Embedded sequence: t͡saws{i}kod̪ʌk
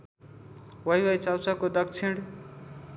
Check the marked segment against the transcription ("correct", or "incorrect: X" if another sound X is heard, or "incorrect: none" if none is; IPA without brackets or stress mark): incorrect: a